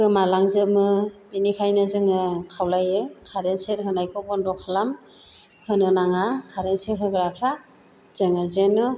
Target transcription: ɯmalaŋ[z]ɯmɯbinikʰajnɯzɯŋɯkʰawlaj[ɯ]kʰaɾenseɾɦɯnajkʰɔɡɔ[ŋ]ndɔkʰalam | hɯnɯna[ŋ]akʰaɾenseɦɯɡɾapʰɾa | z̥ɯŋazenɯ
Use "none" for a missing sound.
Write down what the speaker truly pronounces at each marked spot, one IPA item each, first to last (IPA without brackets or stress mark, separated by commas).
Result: z, ɯ, none, ŋ